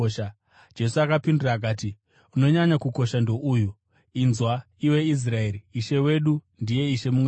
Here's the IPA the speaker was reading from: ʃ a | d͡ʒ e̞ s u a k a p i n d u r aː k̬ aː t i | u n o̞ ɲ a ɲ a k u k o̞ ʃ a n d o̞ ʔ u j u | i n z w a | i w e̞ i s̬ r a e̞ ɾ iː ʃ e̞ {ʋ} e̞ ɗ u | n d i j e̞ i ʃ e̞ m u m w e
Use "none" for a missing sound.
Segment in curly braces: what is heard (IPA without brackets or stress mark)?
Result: w